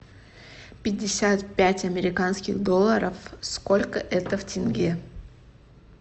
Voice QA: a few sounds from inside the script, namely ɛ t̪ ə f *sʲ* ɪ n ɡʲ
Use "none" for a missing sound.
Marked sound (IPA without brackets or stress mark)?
tʲ